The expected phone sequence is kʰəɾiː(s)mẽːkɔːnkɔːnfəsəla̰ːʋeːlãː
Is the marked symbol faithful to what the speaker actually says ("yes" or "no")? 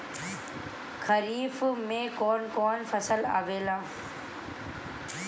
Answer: no